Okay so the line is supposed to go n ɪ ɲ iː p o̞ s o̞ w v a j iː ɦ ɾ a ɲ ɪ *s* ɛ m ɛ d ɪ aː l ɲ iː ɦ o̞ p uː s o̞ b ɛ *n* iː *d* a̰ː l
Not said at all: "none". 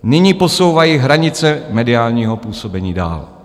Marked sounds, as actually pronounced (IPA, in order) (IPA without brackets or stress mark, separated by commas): t͡s, ɲ, d